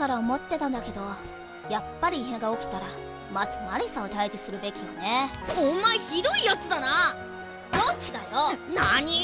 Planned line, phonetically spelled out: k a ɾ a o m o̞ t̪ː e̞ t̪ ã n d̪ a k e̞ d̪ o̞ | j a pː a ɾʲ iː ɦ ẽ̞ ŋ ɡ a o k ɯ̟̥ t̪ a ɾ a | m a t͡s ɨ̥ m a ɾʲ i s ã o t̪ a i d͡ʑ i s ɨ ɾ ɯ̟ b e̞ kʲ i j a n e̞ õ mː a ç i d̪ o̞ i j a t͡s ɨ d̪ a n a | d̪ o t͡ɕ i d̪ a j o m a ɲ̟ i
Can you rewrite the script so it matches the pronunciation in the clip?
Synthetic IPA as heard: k a ɾ a o m o̞ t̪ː e̞ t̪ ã n d̪ a k e̞ d̪ o̞ | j a pː a ɾʲ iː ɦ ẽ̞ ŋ ɡ a o k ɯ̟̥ t̪ a ɾ a | m a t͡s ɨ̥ m a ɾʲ i s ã o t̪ a i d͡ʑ i s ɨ ɾ ɯ̟ b e̞ kʲ i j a n e̞ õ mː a ç i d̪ o̞ i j a t͡s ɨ d̪ a n a | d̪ o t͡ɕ i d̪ a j o n a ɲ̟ i